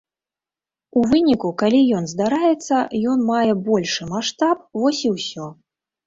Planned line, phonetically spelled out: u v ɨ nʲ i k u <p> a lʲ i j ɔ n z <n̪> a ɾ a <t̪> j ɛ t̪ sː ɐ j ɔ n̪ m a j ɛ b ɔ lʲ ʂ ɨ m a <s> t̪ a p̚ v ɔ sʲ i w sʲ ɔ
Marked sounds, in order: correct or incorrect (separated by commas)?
incorrect, incorrect, incorrect, incorrect